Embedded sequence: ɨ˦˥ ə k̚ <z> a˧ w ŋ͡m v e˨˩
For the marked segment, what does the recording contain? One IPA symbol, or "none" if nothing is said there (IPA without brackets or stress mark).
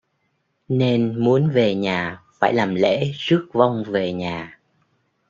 v